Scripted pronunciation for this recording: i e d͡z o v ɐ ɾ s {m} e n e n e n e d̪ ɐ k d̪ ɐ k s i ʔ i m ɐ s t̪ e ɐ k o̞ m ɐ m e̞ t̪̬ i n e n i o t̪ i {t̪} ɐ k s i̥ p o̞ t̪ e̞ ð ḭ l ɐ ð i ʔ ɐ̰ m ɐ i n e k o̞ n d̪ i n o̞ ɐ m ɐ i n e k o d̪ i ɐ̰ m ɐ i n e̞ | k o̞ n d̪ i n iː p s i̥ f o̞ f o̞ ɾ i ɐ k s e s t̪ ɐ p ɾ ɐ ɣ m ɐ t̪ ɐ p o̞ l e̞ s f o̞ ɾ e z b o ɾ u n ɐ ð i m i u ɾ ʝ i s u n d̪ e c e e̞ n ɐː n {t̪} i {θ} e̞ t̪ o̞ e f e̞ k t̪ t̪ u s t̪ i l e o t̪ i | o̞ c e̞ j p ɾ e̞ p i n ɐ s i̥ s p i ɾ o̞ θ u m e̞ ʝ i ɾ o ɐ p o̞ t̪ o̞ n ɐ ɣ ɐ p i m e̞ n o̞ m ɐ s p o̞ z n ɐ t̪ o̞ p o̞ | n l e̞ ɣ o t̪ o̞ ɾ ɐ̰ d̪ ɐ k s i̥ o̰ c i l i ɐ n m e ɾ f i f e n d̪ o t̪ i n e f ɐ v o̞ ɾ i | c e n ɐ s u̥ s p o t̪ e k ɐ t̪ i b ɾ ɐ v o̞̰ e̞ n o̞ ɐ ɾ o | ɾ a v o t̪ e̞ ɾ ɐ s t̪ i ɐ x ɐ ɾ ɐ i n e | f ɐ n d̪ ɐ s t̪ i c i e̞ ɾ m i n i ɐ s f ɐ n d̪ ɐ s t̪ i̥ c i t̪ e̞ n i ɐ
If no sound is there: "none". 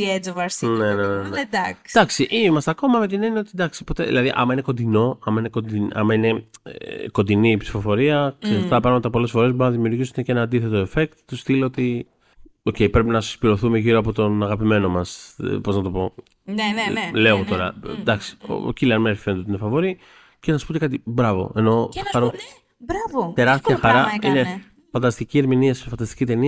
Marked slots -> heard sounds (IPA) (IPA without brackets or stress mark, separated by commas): n, d̪, d̪, θ